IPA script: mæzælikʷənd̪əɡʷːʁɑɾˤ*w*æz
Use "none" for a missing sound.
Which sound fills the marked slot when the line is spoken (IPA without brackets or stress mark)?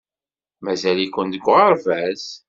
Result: v